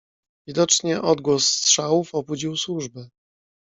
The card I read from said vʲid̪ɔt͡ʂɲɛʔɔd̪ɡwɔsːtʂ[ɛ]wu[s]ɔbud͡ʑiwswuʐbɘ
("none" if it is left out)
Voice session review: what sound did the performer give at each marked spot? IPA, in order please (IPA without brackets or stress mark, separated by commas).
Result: a, f